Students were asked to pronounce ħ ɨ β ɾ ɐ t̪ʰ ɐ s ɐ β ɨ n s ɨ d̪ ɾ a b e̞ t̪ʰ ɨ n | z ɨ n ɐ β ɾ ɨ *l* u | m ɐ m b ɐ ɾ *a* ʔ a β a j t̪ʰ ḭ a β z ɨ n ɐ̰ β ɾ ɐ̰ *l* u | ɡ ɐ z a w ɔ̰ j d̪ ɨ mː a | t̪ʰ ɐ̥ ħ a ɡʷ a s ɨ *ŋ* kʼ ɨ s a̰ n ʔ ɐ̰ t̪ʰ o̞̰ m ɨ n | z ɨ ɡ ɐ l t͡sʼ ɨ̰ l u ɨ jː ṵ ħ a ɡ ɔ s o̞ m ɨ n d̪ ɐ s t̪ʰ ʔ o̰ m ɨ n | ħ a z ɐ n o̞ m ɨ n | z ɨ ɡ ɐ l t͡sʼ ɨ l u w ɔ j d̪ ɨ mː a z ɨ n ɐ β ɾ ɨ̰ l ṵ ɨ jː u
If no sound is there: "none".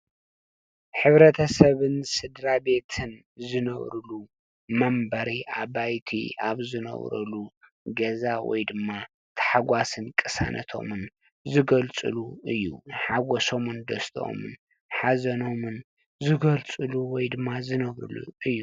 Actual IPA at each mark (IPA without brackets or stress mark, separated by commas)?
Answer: l, i, l, n